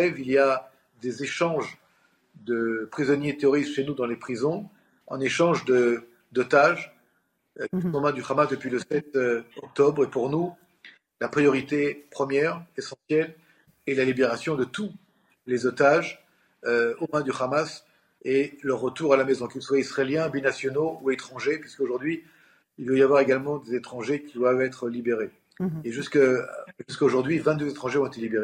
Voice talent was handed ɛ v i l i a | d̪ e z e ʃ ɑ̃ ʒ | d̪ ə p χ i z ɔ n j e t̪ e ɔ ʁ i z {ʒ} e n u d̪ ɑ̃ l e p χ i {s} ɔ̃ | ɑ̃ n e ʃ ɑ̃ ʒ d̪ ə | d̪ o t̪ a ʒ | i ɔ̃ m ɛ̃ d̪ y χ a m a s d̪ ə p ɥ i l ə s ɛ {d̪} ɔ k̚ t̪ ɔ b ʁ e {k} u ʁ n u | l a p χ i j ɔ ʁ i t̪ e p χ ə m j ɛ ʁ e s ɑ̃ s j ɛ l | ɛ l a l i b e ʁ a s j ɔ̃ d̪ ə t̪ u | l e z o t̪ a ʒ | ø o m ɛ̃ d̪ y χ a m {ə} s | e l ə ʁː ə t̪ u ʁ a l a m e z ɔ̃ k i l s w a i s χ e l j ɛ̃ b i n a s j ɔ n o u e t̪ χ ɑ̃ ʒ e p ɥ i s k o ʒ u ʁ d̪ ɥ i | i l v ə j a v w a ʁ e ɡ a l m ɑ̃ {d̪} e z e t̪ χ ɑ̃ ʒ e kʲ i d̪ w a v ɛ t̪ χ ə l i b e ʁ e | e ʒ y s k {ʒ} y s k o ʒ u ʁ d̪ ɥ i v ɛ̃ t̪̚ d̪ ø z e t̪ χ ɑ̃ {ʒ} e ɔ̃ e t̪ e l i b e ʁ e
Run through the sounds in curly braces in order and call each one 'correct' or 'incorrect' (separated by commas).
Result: incorrect, incorrect, incorrect, incorrect, incorrect, correct, correct, correct